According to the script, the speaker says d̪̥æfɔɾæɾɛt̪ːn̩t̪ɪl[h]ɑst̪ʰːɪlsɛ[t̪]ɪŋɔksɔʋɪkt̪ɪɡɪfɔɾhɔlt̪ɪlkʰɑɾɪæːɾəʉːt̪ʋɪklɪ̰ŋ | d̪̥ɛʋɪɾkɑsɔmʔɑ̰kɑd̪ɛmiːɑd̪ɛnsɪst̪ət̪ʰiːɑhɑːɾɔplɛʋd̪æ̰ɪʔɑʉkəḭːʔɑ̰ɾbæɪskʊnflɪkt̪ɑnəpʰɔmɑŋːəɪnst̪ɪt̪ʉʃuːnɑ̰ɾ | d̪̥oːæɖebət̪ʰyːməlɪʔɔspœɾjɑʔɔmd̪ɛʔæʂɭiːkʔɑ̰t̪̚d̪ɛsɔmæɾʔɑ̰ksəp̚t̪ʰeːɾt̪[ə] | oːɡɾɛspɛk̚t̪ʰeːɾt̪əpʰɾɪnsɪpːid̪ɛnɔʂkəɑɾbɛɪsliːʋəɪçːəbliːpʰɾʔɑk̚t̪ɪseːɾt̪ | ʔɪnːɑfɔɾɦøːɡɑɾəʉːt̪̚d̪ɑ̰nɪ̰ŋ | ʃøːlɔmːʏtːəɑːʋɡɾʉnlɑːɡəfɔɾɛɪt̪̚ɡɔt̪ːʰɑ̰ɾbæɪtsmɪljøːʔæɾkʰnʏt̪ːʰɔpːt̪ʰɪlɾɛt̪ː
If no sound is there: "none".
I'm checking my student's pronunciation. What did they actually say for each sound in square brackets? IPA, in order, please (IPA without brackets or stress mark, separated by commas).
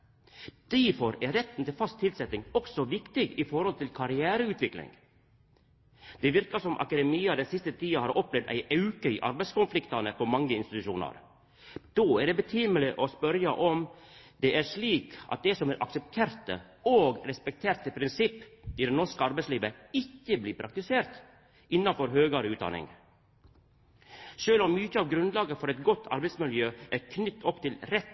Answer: f, t̪, ə